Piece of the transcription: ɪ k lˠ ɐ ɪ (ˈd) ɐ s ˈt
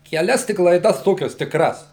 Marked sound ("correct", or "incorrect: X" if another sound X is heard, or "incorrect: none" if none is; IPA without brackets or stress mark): correct